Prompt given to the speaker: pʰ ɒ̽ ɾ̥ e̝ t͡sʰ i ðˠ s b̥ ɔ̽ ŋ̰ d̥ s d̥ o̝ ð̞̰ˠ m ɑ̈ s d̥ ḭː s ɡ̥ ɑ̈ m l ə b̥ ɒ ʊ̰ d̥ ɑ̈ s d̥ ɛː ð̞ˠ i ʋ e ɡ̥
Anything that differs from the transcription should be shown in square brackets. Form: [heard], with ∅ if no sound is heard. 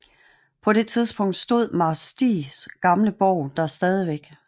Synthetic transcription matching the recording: pʰ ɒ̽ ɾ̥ e̝ t͡sʰ i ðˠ s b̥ ɔ̽ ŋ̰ d̥ s d̥ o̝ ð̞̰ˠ m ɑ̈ s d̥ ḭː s ɡ̥ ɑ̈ m l ə b̥ ɒ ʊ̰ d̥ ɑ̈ s d̥ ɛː ð̞ˠ i ʋ e ɡ̥